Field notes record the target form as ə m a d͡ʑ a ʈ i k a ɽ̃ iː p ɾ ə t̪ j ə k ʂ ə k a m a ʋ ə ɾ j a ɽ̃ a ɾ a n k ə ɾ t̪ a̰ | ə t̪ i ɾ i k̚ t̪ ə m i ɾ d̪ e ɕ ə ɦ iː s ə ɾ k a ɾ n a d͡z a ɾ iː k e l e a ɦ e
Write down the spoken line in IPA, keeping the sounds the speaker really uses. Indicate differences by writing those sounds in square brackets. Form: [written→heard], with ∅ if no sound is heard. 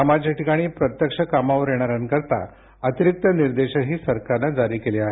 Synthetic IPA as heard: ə m a d͡ʑ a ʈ i k a ɽ̃ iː p ɾ ə t̪ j ə k ʂ ə k a m a ʋ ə ɾ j [a→e] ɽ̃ a ɾ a n k ə ɾ t̪ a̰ | ə t̪ i ɾ i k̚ t̪ ə [m→n] i ɾ d̪ e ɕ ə ɦ iː s ə ɾ k a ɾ n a d͡z a ɾ iː k e l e a ɦ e